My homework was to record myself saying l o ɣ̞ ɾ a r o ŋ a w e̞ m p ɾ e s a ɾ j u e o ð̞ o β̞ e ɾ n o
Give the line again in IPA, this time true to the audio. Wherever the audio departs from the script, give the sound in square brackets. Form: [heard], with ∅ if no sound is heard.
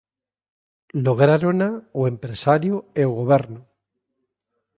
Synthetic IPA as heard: l o ɣ̞ ɾ a [ɾ] o [n] a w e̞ m p ɾ e s a ɾ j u e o [ɣ̞] o β̞ e ɾ n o